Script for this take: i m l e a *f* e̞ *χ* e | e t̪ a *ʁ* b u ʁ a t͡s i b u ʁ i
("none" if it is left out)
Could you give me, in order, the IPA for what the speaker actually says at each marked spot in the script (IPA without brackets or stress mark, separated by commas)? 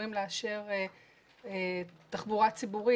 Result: ʃ, ʁ, χ